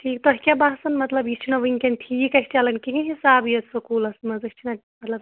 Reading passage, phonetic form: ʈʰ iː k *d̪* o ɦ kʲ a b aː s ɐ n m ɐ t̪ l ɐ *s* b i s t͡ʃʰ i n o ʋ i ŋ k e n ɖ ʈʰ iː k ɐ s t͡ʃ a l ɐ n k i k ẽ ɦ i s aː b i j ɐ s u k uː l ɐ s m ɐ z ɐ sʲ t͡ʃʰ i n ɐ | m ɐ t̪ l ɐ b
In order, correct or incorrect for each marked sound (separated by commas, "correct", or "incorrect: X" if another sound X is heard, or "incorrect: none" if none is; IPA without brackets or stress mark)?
incorrect: t̪, incorrect: none